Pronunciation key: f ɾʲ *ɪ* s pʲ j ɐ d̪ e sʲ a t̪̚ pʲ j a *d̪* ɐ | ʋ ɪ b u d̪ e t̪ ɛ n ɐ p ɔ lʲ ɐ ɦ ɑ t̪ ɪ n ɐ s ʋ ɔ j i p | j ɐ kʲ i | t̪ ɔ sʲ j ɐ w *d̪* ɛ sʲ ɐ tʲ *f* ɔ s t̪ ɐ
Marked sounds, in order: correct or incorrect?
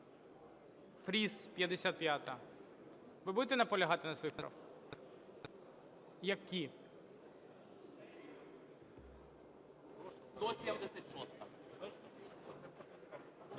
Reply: incorrect: i, incorrect: t̪, correct, incorrect: ʃ

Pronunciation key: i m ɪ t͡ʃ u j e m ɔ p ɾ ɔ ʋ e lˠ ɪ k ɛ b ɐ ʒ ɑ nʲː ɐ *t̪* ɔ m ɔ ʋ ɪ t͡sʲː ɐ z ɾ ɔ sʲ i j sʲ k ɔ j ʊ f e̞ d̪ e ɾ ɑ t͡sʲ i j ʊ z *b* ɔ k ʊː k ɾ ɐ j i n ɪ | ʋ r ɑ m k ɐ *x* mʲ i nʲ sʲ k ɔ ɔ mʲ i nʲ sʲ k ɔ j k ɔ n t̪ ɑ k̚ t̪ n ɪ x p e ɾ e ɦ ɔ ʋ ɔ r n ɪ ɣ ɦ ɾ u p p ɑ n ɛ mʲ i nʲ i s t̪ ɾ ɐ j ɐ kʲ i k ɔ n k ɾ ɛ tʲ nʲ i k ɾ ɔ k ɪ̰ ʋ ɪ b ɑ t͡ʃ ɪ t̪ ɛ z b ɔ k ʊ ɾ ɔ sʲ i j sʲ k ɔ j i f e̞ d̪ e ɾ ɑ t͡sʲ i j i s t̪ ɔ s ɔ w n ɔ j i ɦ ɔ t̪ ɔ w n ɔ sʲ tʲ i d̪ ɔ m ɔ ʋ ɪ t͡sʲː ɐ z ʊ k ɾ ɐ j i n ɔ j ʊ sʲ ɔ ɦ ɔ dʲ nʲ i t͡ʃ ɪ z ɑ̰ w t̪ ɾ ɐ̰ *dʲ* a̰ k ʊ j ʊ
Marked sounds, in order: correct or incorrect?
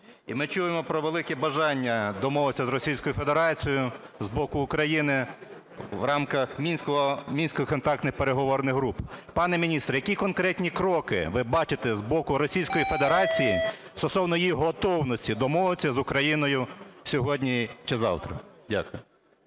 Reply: incorrect: d̪, correct, correct, correct

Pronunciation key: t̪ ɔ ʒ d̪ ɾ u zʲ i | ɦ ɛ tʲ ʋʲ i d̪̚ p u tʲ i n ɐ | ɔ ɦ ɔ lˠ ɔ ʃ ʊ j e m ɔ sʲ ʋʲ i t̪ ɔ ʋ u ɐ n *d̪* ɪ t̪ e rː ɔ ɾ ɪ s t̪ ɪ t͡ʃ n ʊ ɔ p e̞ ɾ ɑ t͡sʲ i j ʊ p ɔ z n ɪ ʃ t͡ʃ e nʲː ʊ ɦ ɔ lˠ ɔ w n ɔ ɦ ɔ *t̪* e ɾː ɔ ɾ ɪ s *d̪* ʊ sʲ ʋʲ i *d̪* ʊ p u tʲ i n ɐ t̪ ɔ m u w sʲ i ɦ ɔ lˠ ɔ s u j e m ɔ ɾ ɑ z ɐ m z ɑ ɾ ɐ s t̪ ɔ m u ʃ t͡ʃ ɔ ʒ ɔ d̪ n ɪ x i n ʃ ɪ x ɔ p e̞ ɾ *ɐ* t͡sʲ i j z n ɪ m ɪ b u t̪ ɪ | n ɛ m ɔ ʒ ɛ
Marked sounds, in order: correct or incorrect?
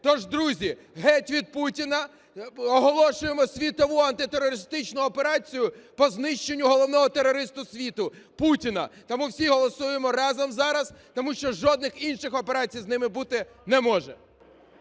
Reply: incorrect: t̪, correct, incorrect: t̪, incorrect: t̪, incorrect: ɑ

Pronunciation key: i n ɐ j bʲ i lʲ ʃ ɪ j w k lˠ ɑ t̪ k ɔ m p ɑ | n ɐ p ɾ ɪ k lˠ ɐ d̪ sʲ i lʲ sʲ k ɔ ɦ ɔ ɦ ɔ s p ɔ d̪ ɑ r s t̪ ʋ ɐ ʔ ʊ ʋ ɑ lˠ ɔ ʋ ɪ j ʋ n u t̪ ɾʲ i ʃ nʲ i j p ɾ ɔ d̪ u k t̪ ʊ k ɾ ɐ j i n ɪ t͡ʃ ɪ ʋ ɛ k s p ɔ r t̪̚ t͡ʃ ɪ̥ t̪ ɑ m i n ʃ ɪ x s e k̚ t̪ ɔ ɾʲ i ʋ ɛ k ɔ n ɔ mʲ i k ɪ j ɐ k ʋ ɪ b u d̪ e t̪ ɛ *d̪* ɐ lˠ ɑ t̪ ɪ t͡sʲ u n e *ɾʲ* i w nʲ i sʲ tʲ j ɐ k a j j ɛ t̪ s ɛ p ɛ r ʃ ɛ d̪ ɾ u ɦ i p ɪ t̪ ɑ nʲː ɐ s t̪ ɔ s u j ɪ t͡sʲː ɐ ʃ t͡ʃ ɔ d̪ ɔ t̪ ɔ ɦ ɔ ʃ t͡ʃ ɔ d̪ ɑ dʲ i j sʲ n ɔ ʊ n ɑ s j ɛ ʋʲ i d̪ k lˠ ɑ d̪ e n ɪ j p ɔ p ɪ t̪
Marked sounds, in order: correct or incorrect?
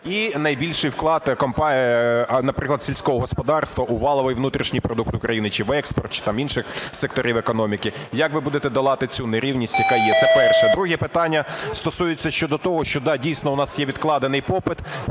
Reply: correct, correct

